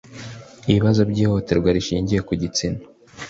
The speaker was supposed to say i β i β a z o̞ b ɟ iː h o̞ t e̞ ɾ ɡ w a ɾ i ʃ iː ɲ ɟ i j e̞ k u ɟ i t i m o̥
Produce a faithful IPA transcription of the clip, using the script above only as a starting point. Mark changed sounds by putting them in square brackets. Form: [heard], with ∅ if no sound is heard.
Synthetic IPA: i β i β a z o̞ b ɟ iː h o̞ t e̞ ɾ ɡ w a ɾ i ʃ iː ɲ ɟ i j e̞ k u ɟ i [t͡s] i [n] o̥